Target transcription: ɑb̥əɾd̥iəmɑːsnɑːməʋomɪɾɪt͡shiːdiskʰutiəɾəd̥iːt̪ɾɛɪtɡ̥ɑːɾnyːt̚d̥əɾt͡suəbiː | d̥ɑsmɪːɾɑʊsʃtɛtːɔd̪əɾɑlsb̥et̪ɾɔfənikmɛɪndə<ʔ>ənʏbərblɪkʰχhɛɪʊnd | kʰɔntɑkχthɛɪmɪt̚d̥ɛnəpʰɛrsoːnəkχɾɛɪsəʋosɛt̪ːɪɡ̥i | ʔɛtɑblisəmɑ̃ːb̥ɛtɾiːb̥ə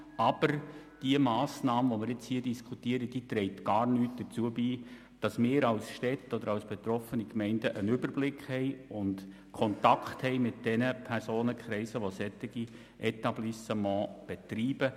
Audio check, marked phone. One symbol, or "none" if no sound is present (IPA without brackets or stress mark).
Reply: ʔ